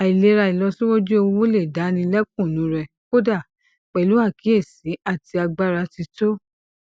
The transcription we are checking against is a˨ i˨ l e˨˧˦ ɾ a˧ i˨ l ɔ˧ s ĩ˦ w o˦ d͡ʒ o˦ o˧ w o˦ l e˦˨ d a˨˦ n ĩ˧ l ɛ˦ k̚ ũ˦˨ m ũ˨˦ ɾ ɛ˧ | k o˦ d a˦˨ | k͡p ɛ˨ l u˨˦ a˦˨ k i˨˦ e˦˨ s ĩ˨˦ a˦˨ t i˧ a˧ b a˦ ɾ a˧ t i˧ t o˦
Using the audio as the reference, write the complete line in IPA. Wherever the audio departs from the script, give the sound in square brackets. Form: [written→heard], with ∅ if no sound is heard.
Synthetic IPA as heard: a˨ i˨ l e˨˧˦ ɾ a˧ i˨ l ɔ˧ s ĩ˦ w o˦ d͡ʒ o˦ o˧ w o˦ l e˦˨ d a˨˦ n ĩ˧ l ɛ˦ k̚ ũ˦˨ [m→n] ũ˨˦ ɾ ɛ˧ | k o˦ d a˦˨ | k͡p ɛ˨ l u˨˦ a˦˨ k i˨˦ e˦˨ s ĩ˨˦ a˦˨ t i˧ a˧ [b→ɡ͡b] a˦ ɾ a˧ t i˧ t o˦